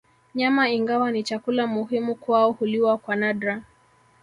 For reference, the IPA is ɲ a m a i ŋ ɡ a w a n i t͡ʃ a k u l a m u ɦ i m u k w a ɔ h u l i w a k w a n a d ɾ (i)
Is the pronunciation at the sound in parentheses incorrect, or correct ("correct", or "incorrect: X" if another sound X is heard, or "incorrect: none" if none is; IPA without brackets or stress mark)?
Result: incorrect: a